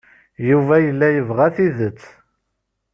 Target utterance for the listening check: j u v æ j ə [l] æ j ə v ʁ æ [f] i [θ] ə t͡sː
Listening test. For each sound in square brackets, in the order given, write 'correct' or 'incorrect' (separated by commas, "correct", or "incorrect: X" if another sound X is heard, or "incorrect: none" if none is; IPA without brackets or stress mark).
incorrect: lː, incorrect: θ, incorrect: ð